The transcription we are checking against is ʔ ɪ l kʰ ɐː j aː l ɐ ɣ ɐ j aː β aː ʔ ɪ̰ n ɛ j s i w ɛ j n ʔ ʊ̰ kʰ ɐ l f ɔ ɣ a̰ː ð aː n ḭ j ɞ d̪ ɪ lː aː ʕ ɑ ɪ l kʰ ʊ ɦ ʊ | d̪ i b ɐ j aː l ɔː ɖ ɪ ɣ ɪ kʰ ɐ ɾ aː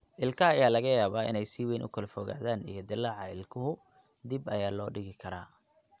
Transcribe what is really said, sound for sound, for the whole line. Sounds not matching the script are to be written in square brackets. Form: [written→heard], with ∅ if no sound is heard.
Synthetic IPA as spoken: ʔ ɪ l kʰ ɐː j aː l ɐ ɣ ɐ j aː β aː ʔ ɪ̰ n ɛ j s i w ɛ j n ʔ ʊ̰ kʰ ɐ l f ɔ ɣ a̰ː ð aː n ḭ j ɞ d̪ ɪ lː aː ʕ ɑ ɪ l kʰ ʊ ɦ ʊ | d̪ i b ɐ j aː l ɔː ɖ ɪ ɣ ɪ kʰ ɐ ɾ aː